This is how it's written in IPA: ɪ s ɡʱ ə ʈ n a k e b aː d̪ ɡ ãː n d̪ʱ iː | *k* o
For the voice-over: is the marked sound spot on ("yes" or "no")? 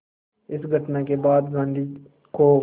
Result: yes